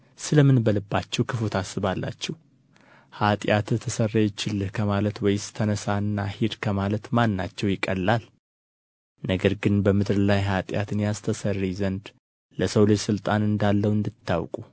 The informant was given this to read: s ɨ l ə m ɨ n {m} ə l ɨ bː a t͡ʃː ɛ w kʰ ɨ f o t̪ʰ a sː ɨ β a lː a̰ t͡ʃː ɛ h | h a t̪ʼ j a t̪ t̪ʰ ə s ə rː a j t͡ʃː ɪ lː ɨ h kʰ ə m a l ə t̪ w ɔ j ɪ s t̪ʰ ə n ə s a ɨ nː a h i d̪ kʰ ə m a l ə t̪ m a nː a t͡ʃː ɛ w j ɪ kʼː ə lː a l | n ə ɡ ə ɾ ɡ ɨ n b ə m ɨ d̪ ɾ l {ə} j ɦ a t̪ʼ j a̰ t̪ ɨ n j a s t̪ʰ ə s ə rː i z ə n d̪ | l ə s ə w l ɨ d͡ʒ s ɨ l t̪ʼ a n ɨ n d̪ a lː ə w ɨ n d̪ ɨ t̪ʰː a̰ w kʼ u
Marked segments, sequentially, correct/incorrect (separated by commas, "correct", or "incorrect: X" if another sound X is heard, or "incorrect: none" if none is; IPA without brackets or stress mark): incorrect: b, incorrect: a